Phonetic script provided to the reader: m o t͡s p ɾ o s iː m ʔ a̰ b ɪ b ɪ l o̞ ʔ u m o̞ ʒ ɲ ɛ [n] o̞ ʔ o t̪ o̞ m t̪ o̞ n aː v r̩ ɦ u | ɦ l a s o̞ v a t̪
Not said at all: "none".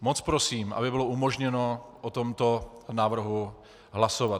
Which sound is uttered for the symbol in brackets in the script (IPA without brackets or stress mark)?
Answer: n